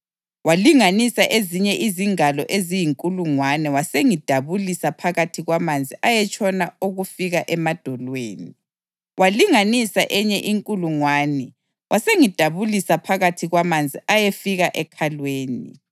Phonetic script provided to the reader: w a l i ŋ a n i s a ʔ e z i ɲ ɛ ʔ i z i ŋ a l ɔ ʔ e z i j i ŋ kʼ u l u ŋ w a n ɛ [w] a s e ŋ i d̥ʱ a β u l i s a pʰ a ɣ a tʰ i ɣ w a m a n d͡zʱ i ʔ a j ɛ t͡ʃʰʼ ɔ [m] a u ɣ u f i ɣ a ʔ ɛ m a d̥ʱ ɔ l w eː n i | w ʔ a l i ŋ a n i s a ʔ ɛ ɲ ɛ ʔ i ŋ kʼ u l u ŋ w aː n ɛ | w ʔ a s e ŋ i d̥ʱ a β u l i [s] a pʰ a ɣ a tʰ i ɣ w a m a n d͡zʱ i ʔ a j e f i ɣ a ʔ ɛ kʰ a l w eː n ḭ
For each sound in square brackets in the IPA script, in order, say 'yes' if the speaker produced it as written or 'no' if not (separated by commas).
yes, no, yes